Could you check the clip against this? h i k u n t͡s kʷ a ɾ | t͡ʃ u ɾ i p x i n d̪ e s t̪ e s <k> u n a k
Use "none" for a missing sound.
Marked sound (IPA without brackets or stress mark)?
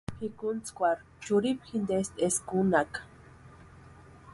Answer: k